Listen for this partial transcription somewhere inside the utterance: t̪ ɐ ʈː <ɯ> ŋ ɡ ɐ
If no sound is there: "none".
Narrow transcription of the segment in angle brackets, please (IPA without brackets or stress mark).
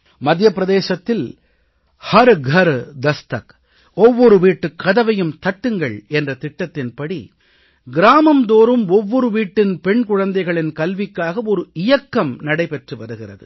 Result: ɯ